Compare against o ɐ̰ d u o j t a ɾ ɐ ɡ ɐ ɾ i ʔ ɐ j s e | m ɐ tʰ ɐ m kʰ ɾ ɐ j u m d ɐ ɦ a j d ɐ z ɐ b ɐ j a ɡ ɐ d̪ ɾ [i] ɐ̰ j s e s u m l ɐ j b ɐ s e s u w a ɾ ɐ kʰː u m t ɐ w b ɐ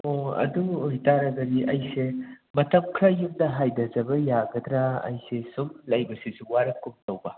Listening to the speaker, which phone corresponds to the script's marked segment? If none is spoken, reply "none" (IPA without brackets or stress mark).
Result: a